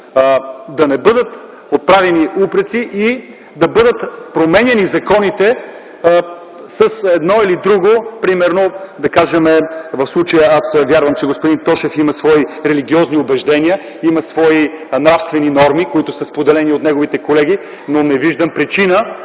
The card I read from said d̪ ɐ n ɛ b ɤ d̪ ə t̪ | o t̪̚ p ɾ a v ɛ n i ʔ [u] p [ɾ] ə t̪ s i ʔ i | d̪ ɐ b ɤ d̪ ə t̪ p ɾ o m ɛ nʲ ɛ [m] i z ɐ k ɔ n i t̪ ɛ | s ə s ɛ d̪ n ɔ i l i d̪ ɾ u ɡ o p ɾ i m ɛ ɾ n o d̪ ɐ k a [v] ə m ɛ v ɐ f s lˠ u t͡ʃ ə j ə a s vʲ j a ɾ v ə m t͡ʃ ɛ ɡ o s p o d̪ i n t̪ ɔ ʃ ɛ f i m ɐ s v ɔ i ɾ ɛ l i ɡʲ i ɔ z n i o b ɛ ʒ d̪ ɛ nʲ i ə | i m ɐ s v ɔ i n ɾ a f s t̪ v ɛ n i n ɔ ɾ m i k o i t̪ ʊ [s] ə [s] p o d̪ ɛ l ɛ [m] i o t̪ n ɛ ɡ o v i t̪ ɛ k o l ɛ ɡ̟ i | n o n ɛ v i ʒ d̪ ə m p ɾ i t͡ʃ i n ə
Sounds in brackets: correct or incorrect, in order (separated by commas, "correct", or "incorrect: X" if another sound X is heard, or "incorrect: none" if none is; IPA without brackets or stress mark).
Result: correct, correct, incorrect: n, incorrect: ʒ, correct, correct, incorrect: n